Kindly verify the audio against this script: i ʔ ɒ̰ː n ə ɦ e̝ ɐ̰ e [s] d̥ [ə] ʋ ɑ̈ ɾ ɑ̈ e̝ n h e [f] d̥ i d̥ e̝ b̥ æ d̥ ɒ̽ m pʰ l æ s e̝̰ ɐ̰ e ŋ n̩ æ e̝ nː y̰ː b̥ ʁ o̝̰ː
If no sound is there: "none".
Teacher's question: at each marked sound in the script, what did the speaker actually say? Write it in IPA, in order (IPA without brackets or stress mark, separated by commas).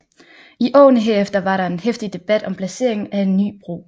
f, ɐ, f